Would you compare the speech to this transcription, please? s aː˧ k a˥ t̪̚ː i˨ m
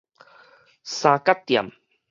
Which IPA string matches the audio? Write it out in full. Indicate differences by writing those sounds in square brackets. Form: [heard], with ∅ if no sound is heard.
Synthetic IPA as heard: s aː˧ k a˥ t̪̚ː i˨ m

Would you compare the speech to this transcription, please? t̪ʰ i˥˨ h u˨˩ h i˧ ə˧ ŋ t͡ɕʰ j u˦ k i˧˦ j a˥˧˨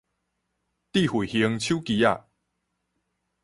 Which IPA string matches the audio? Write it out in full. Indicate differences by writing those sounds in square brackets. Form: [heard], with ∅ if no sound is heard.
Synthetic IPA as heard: [t̪] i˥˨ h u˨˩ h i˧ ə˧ ŋ t͡ɕʰ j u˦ k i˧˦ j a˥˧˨

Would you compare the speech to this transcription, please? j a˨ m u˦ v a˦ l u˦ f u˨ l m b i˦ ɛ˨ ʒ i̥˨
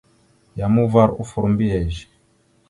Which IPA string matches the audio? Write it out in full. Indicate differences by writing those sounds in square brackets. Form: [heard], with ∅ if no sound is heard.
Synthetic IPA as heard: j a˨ m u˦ v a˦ [ɾ] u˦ f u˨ [ɾ] m b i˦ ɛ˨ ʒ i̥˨

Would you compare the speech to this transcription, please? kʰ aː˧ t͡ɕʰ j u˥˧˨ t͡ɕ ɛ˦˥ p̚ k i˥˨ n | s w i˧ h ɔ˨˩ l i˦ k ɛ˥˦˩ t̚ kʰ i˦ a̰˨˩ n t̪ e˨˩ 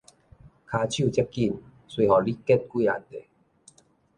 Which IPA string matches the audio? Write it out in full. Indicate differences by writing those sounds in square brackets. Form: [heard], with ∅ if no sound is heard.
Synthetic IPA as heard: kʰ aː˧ t͡ɕʰ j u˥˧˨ t͡ɕ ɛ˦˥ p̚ k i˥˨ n | s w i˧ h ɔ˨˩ l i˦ k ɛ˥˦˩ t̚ [k] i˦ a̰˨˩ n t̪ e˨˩

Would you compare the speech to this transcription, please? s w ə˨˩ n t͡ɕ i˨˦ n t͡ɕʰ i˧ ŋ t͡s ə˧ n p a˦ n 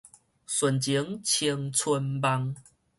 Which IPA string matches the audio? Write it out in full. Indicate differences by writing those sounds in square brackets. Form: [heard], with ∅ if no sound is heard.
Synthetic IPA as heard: s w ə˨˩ n t͡ɕ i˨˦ [ŋ] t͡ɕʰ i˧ ŋ [t͡sʰ] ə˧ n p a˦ [ŋ]

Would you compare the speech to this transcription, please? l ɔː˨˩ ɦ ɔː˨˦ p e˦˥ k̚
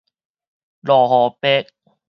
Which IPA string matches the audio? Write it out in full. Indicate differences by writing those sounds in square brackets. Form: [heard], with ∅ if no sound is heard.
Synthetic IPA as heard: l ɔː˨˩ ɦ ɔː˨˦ p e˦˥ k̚

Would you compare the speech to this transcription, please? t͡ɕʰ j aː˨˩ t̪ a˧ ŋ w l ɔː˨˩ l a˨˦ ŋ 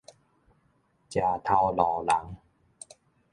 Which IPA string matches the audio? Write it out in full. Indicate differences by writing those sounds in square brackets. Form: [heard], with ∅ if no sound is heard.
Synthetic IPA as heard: [t͡ɕ] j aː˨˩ [t̪ʰ] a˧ [∅] w l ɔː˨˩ l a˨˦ ŋ

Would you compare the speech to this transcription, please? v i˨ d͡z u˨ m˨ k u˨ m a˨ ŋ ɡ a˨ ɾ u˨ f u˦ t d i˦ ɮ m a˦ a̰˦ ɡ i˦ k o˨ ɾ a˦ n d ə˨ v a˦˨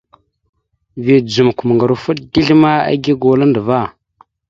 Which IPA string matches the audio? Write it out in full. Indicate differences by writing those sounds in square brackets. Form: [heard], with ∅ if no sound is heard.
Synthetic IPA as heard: v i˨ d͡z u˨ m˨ k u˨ m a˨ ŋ ɡ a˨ ɾ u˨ f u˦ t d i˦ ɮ m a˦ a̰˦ ɡ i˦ [ɡ] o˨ [l] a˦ n d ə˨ v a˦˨

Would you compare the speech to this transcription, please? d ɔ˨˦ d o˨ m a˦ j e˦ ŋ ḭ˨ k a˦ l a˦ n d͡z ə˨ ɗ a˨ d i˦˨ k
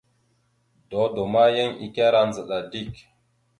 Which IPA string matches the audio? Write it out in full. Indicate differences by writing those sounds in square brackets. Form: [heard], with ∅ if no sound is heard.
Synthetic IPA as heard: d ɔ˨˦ d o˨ m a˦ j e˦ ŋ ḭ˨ k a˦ [ɾ] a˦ n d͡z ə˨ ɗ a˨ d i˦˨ k

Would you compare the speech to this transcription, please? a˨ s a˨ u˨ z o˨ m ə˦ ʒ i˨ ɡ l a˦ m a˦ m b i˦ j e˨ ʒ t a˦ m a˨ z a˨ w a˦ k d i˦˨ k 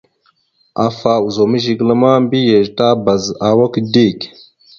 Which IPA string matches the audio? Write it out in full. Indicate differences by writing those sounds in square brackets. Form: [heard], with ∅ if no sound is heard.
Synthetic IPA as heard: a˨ [f] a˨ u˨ z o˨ m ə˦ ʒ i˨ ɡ l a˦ m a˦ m b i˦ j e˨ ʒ t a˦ [b] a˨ z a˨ w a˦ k d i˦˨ k

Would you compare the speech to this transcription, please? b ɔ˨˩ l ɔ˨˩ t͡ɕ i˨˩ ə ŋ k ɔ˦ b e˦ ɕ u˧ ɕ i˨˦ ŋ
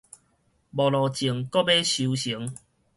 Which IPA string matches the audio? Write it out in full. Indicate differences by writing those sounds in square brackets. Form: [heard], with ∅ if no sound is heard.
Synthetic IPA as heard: b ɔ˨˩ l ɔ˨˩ t͡ɕ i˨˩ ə ŋ k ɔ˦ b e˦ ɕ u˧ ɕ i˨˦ ŋ

